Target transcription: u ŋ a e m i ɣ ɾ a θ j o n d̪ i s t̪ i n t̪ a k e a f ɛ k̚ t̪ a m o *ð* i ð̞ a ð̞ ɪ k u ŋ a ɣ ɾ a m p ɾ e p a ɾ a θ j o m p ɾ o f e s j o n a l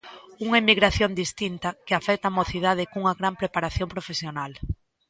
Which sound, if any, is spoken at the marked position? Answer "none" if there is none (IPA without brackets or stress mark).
θ